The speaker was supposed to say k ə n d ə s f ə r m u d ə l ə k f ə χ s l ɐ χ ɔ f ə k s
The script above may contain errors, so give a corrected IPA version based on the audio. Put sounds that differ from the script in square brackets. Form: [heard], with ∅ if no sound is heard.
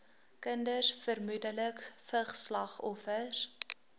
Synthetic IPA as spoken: k ə n d ə s f ə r m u d ə l ə k f ə χ s l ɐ χ ɔ f ə [∅] s